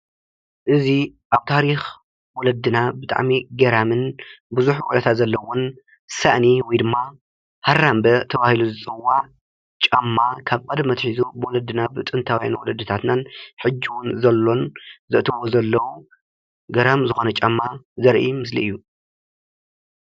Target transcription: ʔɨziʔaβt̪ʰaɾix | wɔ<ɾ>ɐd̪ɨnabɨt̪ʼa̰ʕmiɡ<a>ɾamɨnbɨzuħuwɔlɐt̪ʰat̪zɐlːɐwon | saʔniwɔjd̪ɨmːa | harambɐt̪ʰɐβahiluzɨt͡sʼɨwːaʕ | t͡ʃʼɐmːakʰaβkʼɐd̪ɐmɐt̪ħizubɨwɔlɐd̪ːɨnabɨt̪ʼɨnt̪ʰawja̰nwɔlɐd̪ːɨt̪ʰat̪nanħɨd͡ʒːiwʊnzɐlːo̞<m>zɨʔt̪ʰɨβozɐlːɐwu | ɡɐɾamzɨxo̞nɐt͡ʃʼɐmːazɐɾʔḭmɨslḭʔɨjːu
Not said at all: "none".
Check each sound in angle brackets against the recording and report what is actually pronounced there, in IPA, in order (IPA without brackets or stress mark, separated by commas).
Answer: l, ɐ, n